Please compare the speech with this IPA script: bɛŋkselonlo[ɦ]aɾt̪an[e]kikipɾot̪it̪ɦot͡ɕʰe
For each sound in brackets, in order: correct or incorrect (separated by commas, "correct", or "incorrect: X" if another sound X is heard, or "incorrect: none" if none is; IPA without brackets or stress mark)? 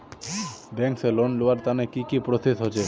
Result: incorrect: none, correct